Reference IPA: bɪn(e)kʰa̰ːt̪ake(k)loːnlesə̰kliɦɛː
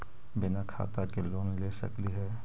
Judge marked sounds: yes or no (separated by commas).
no, no